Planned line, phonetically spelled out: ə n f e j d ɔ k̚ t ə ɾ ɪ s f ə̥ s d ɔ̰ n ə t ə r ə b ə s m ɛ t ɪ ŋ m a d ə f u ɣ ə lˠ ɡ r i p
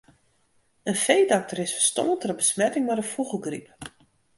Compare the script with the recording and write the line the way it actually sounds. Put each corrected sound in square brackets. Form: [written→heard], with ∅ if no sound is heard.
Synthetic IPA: ə n f e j d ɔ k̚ t ə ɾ ɪ s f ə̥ s [d→t] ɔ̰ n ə t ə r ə b ə s m ɛ t ɪ ŋ m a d ə f u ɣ ə lˠ ɡ r i p